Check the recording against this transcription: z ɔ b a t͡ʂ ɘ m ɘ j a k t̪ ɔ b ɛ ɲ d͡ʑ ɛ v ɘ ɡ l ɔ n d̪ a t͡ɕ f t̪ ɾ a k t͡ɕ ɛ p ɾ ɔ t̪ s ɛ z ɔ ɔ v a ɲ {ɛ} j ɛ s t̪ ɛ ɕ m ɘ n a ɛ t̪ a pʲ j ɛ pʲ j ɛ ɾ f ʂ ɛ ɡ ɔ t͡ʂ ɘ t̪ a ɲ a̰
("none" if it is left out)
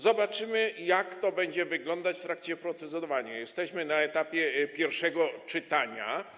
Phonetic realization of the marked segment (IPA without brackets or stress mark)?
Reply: a